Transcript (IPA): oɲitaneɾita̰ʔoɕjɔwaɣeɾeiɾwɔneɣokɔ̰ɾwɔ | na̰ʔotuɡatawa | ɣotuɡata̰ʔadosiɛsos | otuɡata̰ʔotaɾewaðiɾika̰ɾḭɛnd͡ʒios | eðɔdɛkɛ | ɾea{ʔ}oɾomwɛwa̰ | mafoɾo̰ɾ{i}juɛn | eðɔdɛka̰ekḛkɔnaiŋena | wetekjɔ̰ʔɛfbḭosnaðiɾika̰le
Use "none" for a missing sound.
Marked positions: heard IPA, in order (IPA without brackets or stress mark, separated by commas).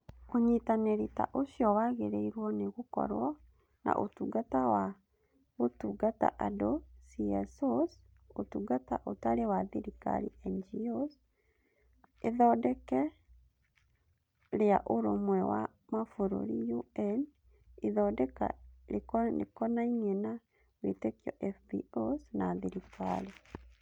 ʔ, i